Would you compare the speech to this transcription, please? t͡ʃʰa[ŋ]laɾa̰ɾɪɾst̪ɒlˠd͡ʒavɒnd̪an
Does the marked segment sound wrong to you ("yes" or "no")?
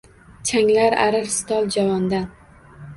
no